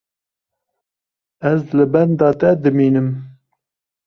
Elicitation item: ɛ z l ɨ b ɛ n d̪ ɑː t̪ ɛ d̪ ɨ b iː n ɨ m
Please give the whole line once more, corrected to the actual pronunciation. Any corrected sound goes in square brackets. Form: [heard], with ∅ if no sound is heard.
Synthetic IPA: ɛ z l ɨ b ɛ n d̪ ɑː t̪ ɛ d̪ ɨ [m] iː n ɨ m

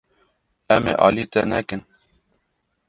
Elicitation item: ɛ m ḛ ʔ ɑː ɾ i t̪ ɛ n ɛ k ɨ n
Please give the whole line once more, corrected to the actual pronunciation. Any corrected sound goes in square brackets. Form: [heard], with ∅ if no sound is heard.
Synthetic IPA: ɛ m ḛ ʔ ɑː [l] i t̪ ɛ n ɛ k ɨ n

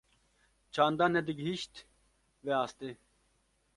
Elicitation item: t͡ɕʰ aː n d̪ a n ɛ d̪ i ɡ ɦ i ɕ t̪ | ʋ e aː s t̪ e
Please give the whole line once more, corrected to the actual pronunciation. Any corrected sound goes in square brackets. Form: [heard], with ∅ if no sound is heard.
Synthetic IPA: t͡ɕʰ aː n d̪ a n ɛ d̪ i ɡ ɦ i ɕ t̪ | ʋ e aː s t̪ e

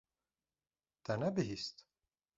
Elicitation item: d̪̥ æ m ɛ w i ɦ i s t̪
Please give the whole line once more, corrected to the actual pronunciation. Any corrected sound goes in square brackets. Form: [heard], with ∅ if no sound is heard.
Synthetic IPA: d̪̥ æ [n] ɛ [b] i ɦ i s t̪

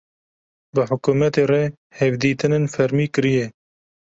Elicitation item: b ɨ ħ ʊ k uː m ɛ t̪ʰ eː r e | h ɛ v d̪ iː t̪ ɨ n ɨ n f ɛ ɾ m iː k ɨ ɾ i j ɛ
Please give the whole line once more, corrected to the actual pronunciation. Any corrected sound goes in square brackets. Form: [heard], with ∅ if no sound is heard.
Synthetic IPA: b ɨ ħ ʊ k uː m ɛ [t̪] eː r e | h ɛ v d̪ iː t̪ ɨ n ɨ n f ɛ ɾ m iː k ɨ ɾ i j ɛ

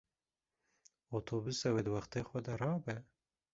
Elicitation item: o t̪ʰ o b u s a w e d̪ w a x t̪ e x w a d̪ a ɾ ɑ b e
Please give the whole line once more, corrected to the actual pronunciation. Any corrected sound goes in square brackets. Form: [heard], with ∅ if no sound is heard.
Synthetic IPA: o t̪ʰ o b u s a w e d̪ w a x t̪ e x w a d̪ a ɾ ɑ b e

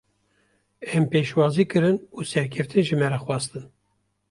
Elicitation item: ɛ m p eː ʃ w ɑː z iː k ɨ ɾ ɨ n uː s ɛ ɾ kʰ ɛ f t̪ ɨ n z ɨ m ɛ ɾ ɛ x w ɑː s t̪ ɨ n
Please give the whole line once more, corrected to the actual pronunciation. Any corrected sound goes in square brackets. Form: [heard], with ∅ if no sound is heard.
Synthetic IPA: ɛ m p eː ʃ w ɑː z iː k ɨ ɾ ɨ n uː s ɛ ɾ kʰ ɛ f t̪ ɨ n [ʒ] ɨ m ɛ ɾ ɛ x w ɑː s t̪ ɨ n

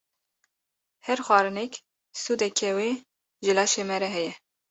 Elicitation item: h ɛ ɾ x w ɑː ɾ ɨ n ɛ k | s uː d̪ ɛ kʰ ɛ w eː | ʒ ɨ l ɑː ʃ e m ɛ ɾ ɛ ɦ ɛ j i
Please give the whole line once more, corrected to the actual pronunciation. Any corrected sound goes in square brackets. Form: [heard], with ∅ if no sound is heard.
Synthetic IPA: h ɛ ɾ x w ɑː ɾ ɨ n ɛ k | s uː d̪ ɛ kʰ ɛ w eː | ʒ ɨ l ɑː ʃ e m ɛ ɾ ɛ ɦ ɛ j [ɛ]

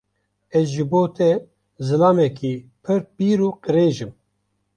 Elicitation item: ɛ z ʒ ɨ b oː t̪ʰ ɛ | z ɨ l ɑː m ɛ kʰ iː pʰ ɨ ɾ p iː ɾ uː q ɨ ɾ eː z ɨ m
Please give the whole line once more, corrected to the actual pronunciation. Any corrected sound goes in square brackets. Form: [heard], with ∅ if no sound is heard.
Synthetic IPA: ɛ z ʒ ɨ b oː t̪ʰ ɛ | z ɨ l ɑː m ɛ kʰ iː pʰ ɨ ɾ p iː ɾ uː q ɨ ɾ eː [ʒ] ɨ m

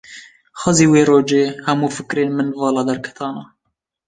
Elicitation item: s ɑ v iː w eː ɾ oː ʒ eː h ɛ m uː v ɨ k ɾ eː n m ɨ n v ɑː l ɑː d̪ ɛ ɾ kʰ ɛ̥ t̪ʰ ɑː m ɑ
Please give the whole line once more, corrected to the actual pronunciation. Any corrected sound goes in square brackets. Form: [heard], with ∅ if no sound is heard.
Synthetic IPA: [x] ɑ [z] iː w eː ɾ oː [d͡ʒ] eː h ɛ m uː [f] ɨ k ɾ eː n m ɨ n v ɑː l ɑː d̪ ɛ ɾ kʰ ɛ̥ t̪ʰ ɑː [n] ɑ

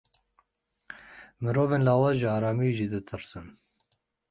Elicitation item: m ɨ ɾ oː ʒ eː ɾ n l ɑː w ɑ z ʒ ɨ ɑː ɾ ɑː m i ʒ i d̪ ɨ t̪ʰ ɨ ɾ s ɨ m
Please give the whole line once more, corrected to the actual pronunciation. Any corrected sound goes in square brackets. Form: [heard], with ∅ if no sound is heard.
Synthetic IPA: m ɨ ɾ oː [v] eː [∅] n l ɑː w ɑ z ʒ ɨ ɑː ɾ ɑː m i ʒ i d̪ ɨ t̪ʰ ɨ ɾ s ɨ [n]

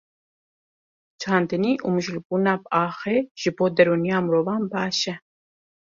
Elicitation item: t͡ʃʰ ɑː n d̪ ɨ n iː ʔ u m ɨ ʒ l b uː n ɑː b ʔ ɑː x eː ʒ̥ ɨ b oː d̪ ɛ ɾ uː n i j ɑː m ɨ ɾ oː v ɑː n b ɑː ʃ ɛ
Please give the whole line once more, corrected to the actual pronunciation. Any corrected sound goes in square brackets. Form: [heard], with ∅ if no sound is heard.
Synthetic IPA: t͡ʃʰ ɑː n d̪ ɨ n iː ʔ u m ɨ ʒ l b uː n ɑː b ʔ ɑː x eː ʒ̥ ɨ b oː d̪ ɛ ɾ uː n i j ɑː m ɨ ɾ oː v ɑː n b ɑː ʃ ɛ

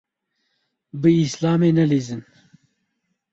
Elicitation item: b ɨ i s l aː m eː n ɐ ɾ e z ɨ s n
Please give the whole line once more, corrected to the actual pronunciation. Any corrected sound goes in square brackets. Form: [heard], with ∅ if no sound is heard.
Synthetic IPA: b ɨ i s l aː m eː n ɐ [l] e z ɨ [∅] n

